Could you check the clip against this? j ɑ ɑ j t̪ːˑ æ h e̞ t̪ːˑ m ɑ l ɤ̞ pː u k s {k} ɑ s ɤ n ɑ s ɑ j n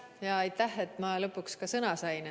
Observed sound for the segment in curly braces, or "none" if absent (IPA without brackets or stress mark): k